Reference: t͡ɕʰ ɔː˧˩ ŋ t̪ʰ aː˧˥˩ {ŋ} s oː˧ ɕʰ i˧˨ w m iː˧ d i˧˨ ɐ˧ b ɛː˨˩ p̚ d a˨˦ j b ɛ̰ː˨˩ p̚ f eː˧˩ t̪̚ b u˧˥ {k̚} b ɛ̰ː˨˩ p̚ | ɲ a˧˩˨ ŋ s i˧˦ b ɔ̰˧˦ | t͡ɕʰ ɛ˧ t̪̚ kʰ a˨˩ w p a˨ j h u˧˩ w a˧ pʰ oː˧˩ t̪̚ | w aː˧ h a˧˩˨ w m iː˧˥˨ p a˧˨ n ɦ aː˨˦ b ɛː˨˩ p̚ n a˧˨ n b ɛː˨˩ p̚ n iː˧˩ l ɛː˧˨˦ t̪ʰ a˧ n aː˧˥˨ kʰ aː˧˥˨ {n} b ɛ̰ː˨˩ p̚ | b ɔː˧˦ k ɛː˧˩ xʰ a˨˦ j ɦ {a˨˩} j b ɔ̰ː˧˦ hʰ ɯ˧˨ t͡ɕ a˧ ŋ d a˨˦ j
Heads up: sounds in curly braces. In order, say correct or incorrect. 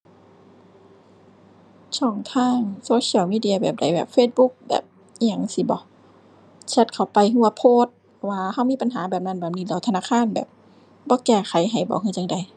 correct, correct, correct, correct

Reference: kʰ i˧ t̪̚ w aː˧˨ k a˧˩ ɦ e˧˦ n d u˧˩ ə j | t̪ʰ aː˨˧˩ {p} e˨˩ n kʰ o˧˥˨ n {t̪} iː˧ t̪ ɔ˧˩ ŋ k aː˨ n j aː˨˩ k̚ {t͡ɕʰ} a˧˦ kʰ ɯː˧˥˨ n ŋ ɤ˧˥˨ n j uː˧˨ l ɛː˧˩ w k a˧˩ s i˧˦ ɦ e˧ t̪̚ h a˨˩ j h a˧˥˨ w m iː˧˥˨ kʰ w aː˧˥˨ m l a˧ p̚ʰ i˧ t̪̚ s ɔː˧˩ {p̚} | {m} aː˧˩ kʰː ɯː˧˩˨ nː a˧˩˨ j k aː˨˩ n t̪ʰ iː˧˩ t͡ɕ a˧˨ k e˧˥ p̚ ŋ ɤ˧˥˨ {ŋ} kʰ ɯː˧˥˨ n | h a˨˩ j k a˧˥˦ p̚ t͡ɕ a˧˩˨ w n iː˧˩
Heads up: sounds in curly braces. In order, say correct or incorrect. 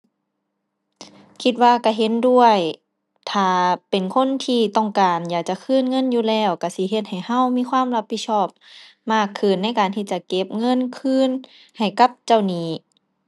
correct, incorrect, incorrect, correct, correct, incorrect

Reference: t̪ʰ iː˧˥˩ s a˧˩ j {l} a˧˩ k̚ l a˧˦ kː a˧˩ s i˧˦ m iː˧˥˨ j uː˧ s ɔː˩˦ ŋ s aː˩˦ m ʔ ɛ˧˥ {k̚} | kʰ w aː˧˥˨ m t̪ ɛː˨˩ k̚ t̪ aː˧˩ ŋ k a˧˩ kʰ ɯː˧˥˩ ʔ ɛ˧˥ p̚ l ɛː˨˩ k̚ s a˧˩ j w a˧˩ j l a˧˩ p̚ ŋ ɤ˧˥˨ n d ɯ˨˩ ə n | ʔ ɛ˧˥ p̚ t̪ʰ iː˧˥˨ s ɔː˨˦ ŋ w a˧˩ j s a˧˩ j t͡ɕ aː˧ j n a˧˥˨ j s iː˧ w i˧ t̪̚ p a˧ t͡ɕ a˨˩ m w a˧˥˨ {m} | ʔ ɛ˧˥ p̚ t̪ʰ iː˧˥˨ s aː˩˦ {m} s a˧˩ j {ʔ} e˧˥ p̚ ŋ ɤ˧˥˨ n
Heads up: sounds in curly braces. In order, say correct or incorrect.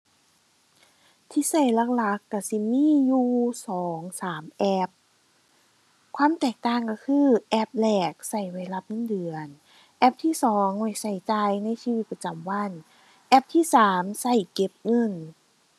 correct, incorrect, incorrect, correct, incorrect

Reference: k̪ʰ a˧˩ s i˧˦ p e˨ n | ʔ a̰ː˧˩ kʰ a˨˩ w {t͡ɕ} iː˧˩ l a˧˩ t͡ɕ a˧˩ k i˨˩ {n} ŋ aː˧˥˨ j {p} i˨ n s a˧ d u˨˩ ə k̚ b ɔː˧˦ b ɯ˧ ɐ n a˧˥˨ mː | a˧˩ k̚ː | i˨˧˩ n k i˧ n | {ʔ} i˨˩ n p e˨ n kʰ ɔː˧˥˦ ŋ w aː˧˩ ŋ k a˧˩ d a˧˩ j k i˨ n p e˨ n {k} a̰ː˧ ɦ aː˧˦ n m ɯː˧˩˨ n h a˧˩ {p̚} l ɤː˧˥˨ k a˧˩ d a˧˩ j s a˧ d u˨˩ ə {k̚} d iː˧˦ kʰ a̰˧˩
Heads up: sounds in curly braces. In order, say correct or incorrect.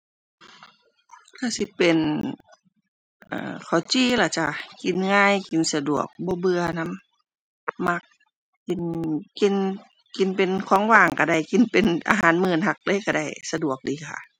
correct, correct, incorrect, incorrect, incorrect, incorrect, correct

